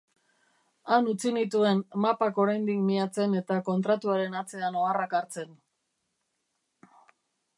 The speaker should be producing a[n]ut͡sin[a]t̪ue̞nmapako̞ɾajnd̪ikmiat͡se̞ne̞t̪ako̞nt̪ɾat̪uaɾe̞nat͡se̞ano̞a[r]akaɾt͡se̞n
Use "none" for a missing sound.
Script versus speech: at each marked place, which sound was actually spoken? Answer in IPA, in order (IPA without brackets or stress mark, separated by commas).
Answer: n, i, r